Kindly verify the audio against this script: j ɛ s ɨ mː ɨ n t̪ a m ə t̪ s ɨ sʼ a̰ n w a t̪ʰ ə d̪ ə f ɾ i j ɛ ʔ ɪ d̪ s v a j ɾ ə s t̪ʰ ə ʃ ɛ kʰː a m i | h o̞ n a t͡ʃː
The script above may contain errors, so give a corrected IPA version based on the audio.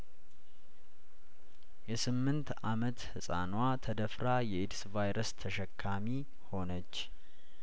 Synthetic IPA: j ɛ s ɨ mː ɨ n t̪ a m ə t̪ h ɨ sʼ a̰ n w a t̪ʰ ə d̪ ə f ɾ a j ɛ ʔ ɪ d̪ s v a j ɾ ə s t̪ʰ ə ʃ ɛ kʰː a m i | h o̞ n ə t͡ʃː

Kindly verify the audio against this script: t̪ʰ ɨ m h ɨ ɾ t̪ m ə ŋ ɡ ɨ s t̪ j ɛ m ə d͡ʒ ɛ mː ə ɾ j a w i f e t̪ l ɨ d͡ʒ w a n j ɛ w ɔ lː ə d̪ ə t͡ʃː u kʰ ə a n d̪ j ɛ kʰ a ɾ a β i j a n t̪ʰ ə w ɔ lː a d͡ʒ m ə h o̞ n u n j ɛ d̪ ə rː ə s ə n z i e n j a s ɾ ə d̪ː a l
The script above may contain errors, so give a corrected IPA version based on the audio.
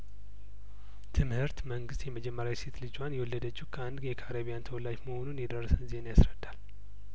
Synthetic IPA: t̪ʰ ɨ m h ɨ ɾ t̪ m ə ŋ ɡ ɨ s t̪ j ɛ m ə d͡ʒ ɛ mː ə ɾ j a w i s e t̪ l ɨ d͡ʒ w a n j ɛ w ɔ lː ə d̪ ə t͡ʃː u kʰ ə a n d̪ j ɛ kʰ a ɾ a β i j a n t̪ʰ ə w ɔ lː a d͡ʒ m ə h o̞ n u n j ɛ d̪ ə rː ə s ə n z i e n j a s ɾ ə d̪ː a l

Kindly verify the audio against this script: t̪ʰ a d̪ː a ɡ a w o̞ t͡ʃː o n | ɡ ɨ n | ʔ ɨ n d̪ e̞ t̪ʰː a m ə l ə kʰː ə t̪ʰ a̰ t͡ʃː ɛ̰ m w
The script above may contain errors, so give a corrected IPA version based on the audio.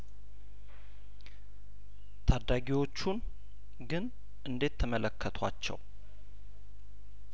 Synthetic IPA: t̪ʰ a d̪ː a ɡ i w o̞ t͡ʃː u n | ɡ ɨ n | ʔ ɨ n d̪ e̞ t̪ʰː ə m ə l ə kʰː ə t̪ʰ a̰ t͡ʃː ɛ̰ w

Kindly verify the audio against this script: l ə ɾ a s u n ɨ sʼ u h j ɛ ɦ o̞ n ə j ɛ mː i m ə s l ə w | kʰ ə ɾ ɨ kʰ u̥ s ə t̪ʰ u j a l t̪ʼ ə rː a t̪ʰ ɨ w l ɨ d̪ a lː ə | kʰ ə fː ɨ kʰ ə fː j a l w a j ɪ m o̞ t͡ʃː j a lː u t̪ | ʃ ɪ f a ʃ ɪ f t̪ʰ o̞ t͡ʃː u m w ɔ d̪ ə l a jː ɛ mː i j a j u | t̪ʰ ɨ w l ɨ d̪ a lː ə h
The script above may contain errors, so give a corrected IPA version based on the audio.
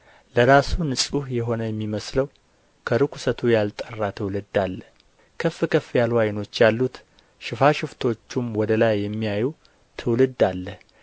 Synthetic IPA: l ə ɾ a s u n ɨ sʼ u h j ɛ ɦ o̞ n ə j ɛ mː i m ə s l ə w | kʰ ə ɾ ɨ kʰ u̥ s ə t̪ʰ u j a l t̪ʼ ə rː a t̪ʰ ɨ w l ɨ d̪ a lː ə | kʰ ə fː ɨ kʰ ə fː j a l w a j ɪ n o̞ t͡ʃː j a lː u t̪ | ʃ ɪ f a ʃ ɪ f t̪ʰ o̞ t͡ʃː u m w ɔ d̪ ə l a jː ɛ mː i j a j u | t̪ʰ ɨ w l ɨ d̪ a lː ə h

